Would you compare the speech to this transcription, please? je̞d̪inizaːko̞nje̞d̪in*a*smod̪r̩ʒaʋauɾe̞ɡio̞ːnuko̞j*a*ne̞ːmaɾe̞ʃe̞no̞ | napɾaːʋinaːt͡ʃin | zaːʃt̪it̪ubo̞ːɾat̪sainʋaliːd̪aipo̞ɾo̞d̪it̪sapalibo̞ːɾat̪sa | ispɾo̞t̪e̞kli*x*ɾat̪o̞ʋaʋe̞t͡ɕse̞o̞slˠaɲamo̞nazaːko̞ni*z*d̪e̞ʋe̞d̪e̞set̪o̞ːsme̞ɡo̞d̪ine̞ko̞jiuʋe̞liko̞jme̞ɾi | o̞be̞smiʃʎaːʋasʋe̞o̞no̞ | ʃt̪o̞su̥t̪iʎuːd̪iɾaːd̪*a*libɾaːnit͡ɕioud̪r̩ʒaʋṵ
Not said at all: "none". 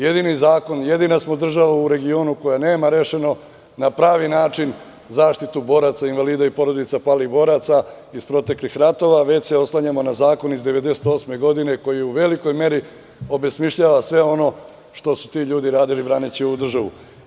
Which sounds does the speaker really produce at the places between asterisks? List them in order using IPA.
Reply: a, a, x, z, i

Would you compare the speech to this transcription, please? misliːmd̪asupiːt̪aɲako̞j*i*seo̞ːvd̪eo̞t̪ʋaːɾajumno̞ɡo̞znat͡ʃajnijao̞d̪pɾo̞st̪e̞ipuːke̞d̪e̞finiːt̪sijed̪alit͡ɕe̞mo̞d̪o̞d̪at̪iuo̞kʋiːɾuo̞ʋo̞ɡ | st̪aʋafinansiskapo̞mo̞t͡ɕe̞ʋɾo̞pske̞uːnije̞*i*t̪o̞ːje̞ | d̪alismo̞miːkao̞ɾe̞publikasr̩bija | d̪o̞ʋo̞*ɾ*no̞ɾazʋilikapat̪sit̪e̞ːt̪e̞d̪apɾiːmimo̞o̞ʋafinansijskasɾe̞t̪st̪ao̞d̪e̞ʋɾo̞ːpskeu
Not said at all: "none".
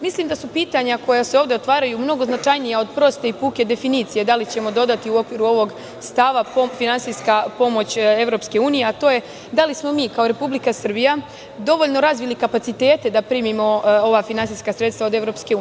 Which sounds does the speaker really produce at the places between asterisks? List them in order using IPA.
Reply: a, a, ʎ

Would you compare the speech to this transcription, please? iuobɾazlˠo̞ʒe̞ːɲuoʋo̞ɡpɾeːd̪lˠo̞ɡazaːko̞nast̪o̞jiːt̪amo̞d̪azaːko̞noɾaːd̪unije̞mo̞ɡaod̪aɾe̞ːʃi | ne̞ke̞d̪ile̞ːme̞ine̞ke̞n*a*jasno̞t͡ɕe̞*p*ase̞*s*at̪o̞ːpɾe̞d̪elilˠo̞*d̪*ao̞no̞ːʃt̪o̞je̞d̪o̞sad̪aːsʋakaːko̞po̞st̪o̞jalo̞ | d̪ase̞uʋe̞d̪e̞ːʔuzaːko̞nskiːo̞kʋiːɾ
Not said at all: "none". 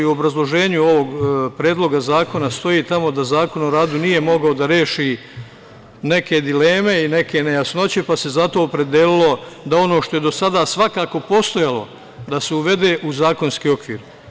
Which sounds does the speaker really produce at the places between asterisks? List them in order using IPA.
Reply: e, p, z, d̪

